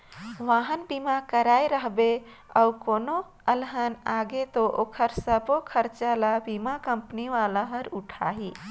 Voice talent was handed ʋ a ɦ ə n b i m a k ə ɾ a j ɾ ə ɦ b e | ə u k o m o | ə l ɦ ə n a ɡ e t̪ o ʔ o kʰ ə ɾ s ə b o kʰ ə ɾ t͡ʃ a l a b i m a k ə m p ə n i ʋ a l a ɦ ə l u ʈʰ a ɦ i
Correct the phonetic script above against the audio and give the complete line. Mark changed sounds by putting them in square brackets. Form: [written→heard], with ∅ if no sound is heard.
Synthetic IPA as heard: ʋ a ɦ ə n b i m a k ə ɾ a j ɾ ə ɦ b e | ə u k o [m→n] o | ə l ɦ ə n a ɡ e t̪ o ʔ o kʰ ə ɾ s ə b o kʰ ə ɾ t͡ʃ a l a b i m a k ə m p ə n i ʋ a l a ɦ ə [l→ɾ] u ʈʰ a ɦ i